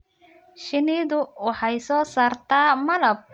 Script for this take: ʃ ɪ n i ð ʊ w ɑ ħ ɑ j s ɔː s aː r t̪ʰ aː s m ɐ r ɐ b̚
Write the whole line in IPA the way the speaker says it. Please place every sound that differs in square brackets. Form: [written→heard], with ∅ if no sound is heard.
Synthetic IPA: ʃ ɪ n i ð ʊ w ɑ ħ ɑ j s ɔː s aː r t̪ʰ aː [s→∅] m ɐ [r→l] ɐ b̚